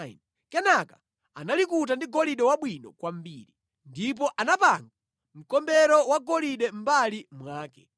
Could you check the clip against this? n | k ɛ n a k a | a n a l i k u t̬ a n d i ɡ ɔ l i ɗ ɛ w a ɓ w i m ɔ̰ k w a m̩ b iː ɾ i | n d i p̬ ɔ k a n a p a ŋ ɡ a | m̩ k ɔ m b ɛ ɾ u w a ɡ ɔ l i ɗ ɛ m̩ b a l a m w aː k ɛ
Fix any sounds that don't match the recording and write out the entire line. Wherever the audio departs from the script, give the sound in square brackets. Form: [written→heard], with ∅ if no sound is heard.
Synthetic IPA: n | k ɛ n a k a | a n a l i k u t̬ a n d i ɡ ɔ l i ɗ ɛ w a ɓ w i [m→n] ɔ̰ k w a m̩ b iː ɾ i | n d i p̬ ɔ [k→ʔ] a n a p a ŋ ɡ a | m̩ k ɔ m b ɛ ɾ [u→ɔ] w a ɡ ɔ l i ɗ ɛ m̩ b a l [a→i] m w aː k ɛ